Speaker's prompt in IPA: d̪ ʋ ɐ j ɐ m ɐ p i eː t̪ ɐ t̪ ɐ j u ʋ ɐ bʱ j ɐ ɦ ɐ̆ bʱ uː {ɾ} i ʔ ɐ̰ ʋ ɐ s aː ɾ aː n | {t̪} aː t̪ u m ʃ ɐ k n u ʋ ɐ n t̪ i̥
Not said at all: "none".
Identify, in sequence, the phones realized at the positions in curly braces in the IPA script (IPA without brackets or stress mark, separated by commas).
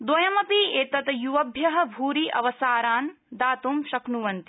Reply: ɾ, d̪